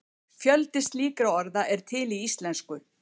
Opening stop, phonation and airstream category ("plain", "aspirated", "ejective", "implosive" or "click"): plain